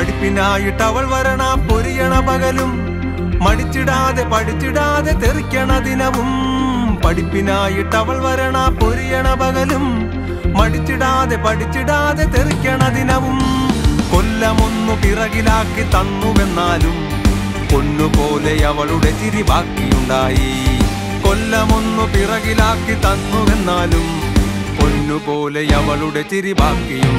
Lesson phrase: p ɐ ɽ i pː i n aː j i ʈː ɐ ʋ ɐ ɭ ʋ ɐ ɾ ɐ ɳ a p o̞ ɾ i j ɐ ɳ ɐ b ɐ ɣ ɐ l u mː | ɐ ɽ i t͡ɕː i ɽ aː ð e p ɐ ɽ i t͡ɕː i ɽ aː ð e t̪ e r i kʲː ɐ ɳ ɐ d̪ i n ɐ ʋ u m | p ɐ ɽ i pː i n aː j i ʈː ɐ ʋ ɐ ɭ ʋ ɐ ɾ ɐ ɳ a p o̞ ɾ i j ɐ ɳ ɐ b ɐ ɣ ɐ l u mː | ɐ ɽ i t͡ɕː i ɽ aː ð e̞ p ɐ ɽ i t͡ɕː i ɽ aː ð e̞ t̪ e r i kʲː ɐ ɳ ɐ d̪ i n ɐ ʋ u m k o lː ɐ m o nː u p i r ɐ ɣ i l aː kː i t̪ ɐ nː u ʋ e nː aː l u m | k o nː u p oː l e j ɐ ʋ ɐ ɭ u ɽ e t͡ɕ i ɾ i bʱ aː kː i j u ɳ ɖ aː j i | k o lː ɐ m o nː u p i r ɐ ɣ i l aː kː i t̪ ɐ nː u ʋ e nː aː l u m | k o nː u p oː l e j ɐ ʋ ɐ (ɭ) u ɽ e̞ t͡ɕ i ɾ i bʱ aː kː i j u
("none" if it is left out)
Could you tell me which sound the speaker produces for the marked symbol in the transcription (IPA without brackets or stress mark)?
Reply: ɭ